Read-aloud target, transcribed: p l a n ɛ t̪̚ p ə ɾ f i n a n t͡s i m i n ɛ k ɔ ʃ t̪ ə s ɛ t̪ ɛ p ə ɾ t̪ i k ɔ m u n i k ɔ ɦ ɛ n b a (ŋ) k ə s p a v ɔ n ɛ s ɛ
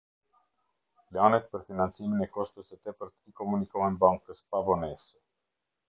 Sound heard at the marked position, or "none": ŋ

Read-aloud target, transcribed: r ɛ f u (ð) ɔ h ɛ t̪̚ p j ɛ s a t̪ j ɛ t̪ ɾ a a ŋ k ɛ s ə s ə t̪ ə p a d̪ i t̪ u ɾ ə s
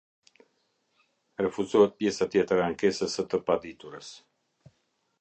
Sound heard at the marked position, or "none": z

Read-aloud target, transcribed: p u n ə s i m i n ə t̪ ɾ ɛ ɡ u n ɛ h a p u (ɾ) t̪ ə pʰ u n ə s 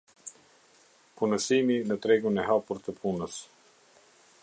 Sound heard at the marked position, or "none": ɾ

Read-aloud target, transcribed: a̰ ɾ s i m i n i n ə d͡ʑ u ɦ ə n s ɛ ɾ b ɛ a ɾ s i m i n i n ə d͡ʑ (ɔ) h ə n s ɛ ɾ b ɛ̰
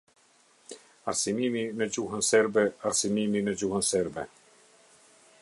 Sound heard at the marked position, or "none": u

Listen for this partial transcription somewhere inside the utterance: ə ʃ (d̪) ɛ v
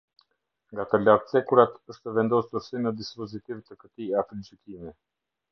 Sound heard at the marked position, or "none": t̪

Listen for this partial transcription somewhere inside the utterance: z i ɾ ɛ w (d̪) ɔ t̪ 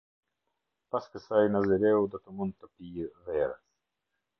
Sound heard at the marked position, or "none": d̪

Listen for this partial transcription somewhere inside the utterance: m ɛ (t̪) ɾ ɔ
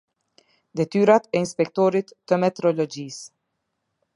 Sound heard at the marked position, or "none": t̪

